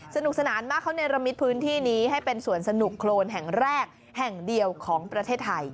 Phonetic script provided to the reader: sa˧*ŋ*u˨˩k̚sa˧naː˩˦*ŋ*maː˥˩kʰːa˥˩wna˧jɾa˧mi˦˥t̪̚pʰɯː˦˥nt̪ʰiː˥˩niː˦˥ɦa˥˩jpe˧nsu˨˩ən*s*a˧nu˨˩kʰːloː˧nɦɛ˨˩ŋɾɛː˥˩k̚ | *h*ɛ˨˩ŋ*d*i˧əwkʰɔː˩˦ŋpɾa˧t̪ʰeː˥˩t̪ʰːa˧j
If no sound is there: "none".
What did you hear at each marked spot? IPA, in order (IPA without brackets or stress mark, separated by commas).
n, n, s, h, d